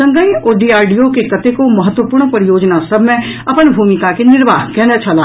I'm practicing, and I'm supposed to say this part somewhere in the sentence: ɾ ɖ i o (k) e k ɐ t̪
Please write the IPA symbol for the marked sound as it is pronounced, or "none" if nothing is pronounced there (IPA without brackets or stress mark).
k